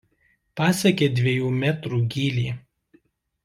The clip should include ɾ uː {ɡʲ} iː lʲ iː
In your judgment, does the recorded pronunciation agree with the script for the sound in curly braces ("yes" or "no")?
yes